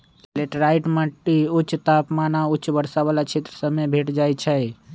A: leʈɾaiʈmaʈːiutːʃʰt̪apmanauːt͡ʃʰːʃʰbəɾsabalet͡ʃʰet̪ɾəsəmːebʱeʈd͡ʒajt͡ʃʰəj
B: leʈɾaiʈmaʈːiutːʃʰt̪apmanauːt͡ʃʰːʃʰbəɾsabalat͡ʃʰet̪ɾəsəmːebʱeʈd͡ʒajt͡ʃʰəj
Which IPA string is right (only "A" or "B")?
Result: B